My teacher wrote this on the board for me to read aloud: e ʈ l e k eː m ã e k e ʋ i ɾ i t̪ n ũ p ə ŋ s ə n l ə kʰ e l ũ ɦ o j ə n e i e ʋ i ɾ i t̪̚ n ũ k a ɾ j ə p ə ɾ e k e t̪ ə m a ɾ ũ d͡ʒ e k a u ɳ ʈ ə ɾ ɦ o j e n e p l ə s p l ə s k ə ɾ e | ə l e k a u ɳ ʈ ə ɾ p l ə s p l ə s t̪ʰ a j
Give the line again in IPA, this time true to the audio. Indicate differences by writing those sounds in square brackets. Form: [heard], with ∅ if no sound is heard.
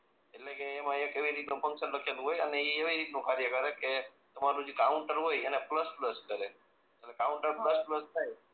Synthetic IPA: e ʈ l e k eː m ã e k e ʋ i ɾ i t̪ n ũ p ə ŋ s ə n l ə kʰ e l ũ ɦ o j ə n e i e ʋ i ɾ i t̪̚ n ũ k a ɾ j ə [k] ə ɾ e k e t̪ ə m a ɾ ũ d͡ʒ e k a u ɳ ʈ ə ɾ ɦ o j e n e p l ə s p l ə s k ə ɾ e | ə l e k a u ɳ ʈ ə ɾ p l ə s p l ə s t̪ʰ a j

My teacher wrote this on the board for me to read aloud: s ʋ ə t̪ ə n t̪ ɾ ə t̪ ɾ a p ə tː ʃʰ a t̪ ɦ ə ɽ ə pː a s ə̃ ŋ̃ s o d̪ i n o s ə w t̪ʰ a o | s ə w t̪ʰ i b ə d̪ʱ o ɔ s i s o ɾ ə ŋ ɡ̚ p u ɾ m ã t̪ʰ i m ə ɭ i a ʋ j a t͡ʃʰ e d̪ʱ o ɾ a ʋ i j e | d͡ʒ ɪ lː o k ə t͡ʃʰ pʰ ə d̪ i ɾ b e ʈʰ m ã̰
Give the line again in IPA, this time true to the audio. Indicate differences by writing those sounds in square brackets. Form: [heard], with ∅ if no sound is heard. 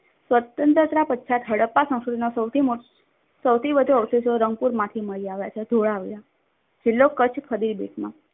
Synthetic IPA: s ʋ ə t̪ ə n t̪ ɾ ə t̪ ɾ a p ə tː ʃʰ a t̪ ɦ ə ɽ ə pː a s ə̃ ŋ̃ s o d̪ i n o s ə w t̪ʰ [i] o | s ə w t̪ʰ i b ə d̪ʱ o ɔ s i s o ɾ ə ŋ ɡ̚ p u ɾ m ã t̪ʰ i m ə ɭ i a ʋ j a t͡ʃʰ e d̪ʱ o [ɭ] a ʋ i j [a] | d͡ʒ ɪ lː o k ə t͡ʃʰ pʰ ə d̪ i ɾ b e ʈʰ m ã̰

